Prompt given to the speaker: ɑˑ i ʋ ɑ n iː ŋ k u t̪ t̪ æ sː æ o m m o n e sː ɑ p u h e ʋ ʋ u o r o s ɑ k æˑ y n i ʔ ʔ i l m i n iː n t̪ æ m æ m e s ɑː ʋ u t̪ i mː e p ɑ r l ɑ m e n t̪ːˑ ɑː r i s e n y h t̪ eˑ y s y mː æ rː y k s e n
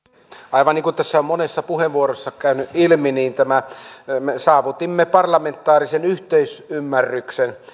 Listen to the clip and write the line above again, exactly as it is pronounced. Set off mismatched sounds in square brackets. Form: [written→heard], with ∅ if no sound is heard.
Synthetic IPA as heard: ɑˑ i ʋ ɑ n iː ŋ k u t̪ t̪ æ sː æ o m m o n e sː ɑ p u h e ʋ ʋ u o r o [s→sː] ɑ k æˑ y n [i→y] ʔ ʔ i l m i n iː n t̪ æ m æ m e s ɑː ʋ u t̪ i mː e p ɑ r l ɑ m e n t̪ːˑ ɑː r i s e n y h t̪ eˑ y s y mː æ rː y k s e n